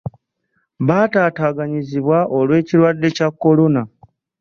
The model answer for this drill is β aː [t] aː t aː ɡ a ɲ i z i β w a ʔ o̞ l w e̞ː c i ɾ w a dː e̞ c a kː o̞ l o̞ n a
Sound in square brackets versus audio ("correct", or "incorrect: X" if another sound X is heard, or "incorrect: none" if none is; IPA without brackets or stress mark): correct